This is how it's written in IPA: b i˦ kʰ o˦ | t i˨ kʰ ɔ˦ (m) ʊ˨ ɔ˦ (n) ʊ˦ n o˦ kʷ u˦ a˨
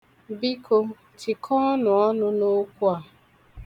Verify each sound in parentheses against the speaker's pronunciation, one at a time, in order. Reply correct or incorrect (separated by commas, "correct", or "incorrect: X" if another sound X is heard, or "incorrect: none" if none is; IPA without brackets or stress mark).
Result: incorrect: n, correct